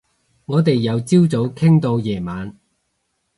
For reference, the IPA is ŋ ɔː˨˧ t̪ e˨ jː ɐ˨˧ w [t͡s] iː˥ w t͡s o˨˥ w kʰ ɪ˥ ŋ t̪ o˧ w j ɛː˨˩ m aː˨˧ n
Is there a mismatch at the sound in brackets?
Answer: no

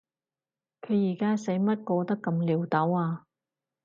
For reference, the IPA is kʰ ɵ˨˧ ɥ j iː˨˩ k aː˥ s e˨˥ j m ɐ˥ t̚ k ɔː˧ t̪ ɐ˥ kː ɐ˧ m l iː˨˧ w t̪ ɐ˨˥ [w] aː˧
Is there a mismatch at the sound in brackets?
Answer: no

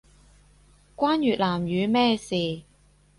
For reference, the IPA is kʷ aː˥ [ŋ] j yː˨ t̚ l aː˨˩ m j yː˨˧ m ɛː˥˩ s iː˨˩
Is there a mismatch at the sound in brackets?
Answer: yes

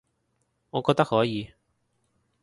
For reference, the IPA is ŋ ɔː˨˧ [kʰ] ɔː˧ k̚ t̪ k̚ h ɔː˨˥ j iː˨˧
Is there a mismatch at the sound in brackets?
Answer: yes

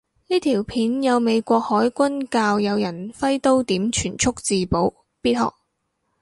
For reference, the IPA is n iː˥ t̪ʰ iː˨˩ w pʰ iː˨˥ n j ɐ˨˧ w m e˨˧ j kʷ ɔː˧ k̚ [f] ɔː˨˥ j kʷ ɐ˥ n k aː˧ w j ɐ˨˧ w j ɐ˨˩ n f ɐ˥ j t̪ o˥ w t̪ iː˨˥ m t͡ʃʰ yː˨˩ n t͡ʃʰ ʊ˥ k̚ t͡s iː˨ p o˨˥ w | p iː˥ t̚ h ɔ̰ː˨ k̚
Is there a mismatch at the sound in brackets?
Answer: yes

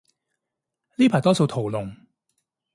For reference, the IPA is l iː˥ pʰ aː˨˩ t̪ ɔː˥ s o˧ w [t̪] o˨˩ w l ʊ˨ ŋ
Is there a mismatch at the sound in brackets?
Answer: yes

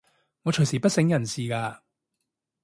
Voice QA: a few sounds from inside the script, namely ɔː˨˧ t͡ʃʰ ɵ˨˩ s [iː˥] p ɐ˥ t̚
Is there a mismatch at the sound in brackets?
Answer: yes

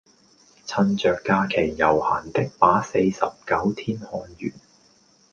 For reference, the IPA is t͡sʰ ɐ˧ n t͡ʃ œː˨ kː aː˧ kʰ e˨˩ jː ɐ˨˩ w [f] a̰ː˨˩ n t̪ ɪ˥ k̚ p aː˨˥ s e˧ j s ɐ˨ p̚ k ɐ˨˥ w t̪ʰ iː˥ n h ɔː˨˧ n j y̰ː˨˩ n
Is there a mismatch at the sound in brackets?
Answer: yes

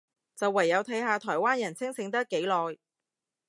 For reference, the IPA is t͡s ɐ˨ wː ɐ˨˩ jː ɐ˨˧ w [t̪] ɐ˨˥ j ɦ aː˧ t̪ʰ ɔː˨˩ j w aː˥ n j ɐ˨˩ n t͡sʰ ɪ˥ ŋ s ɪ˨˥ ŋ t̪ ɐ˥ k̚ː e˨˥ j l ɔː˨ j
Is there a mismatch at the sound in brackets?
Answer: yes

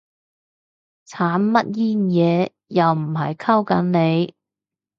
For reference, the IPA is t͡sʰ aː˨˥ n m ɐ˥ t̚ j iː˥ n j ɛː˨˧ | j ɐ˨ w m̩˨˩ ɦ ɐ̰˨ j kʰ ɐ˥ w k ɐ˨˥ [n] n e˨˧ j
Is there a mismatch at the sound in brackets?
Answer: no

